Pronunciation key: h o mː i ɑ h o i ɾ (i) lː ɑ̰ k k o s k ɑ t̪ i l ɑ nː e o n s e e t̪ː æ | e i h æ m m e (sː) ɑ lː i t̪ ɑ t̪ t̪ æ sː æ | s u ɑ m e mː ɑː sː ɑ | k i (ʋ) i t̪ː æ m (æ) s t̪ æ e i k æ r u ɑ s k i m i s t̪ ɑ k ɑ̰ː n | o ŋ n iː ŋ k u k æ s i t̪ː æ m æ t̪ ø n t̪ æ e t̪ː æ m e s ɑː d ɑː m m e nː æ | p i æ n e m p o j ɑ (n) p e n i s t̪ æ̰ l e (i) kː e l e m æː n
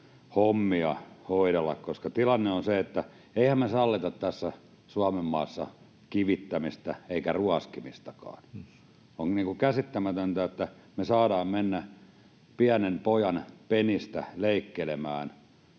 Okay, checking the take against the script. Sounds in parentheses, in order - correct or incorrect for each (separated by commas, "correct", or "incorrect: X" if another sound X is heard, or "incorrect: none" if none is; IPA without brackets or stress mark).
incorrect: e, incorrect: s, correct, incorrect: i, correct, correct